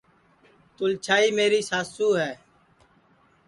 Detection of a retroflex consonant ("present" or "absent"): absent